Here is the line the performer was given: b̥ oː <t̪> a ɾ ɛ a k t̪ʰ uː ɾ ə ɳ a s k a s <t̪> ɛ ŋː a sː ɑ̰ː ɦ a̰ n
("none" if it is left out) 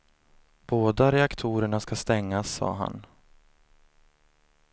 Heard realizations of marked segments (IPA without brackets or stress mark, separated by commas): d̪, t̪